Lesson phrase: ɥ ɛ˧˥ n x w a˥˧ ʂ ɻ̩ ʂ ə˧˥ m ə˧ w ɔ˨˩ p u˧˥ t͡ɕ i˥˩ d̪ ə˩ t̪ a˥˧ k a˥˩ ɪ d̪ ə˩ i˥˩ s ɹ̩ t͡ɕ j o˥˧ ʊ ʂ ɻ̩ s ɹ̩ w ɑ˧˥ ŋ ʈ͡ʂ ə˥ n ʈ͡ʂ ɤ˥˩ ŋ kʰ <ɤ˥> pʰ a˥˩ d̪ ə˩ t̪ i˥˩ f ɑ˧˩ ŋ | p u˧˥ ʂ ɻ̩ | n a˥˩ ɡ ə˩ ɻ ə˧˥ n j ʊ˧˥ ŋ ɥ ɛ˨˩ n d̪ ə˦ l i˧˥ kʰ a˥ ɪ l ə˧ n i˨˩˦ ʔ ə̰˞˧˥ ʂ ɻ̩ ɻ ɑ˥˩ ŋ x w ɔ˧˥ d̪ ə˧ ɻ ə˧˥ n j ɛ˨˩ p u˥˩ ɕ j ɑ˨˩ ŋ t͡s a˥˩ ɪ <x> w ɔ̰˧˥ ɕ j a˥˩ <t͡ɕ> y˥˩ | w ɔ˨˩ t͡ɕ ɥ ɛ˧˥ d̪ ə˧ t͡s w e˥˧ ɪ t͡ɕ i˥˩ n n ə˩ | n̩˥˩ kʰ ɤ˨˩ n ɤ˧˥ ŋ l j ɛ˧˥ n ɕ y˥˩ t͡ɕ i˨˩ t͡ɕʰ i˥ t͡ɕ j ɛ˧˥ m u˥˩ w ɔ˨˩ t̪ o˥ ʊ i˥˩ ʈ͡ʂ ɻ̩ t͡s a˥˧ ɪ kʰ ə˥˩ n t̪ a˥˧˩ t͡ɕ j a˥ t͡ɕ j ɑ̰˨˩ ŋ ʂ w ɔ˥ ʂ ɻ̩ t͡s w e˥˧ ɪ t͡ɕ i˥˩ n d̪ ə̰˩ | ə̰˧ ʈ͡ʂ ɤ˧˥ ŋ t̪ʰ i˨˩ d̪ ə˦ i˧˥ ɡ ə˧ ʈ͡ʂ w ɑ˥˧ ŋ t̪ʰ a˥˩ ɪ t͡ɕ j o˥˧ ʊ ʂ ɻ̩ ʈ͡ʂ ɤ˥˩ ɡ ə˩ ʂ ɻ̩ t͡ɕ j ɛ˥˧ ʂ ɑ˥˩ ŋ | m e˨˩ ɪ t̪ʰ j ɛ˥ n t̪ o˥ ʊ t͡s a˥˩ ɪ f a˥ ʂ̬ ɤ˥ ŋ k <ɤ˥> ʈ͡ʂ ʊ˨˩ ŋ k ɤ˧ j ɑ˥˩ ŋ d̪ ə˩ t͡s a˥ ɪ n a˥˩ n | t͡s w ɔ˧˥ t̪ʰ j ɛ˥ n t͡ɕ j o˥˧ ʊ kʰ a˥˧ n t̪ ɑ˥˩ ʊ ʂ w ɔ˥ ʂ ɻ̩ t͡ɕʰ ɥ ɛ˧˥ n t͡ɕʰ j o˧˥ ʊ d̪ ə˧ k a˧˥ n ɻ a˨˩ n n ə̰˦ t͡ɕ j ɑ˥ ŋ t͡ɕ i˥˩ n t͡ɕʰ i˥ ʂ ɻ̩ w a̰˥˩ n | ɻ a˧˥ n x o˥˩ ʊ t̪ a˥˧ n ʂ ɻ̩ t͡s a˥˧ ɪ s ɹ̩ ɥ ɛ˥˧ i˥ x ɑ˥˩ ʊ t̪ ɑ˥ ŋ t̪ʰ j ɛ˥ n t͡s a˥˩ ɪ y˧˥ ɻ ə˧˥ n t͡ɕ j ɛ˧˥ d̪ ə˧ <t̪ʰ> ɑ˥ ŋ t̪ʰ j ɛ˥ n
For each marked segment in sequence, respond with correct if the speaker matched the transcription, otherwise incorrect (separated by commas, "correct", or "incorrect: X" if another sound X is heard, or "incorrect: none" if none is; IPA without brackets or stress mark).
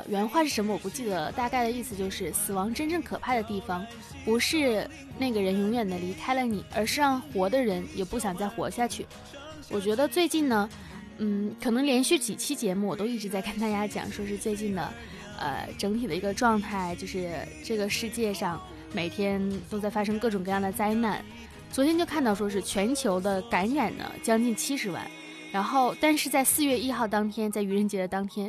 incorrect: ɤ˨˩, correct, incorrect: t͡ɕʰ, incorrect: ɤ˥˩, incorrect: t̪